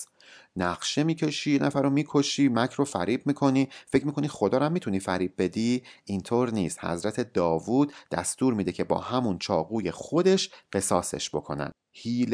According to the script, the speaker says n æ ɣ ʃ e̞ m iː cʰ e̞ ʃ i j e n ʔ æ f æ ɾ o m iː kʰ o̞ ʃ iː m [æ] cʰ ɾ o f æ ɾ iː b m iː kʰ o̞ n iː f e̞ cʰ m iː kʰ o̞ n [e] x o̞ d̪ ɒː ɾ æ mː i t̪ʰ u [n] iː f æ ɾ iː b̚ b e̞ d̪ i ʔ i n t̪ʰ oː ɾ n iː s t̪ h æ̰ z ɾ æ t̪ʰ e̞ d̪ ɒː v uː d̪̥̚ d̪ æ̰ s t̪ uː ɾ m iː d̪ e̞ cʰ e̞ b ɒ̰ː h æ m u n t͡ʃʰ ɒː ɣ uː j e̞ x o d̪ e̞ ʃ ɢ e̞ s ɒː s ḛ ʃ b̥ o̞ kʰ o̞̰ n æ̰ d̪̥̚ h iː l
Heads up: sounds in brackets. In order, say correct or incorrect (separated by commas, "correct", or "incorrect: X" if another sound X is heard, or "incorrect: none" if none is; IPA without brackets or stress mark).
correct, incorrect: i, correct